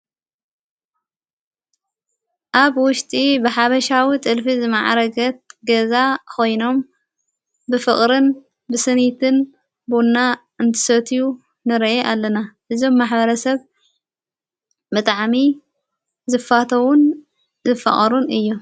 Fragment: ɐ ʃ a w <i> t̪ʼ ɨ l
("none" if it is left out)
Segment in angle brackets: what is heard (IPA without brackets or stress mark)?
i